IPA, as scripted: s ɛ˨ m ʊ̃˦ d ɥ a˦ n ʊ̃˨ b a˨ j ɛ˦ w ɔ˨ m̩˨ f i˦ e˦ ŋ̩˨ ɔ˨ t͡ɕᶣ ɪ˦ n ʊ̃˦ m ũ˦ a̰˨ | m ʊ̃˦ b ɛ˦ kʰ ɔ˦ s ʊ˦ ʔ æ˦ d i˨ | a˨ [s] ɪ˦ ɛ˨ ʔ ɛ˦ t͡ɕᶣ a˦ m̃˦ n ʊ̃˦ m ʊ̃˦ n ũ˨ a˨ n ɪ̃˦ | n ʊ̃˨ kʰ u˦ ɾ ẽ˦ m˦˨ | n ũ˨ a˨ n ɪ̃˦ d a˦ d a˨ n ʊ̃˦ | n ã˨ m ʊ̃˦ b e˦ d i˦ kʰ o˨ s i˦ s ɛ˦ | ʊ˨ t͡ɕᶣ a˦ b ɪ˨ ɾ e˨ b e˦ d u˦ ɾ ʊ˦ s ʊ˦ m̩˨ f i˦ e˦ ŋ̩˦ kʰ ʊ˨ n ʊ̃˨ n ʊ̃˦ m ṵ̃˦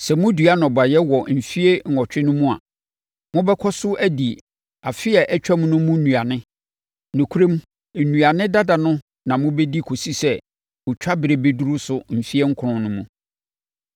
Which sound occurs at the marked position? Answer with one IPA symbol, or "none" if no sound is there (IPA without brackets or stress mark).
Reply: f